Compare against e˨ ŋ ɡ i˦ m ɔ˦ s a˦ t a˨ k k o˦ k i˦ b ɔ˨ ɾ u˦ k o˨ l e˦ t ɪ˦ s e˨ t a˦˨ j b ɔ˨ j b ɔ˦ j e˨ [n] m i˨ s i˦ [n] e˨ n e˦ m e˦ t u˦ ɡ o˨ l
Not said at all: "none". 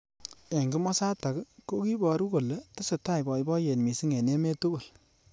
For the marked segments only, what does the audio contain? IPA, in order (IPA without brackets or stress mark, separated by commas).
n, ŋ